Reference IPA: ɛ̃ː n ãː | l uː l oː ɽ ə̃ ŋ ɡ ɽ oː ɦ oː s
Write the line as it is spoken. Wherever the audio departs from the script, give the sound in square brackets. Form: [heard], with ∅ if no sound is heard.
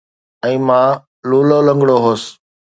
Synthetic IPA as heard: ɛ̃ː [m] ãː | l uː l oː [l] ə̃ ŋ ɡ ɽ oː ɦ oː s